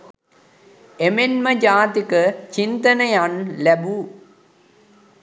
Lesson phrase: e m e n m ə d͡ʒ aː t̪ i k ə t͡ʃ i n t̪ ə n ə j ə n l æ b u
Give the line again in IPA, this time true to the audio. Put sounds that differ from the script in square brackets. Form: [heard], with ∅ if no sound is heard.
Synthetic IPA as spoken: e m e n m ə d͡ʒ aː t̪ i k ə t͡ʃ i n t̪ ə n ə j [a] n l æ b u